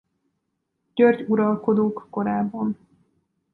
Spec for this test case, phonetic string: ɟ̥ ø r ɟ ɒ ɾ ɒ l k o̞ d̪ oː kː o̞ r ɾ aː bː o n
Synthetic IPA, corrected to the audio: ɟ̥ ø r ɟ u ɾ ɒ l k o̞ d̪ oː kː o̞ ɾ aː bː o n